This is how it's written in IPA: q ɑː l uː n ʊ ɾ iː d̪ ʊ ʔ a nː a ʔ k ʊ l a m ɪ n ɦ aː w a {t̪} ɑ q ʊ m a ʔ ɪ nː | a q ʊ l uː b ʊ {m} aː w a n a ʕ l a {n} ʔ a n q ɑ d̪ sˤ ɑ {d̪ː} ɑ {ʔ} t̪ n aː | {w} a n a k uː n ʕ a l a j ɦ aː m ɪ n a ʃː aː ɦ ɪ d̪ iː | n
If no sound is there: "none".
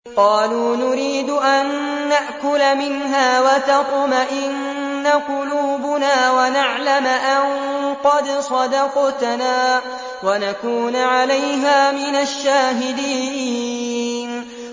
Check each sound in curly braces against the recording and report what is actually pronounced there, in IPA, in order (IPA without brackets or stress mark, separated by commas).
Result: t̪, n, m, d̪, q, w